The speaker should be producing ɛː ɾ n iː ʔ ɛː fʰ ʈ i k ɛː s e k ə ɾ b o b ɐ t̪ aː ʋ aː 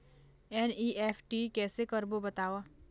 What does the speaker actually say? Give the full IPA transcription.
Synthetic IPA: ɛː n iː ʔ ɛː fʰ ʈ i k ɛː s e k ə ɾ b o b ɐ t̪ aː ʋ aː